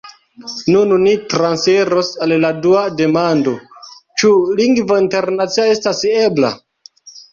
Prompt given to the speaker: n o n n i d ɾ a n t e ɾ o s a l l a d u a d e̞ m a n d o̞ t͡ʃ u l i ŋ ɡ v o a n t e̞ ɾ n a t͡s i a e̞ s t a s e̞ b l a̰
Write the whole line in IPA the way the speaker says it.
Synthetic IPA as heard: n u n n i t ɾ a n s e ɾ o s a l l a d u a d e̞ m a n d o̞ t͡ʃ u l i ŋ ɡ v o i n t e̞ ɾ n a t͡s i a e̞ s t a s e̞ b l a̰